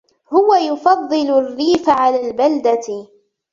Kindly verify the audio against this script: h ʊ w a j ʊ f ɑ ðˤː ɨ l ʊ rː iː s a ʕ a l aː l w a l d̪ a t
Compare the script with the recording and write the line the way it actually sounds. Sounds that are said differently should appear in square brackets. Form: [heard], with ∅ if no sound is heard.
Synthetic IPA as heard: h ʊ w a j ʊ f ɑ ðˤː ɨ l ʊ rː iː [f] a ʕ a l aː l [b] a l d̪ a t